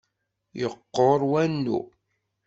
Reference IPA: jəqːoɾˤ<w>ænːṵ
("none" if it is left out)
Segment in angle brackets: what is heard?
w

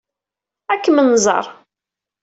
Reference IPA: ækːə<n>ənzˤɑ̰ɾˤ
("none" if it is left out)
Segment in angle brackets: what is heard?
m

